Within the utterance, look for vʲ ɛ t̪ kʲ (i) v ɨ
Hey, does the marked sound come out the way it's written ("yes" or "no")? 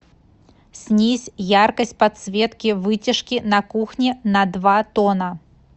yes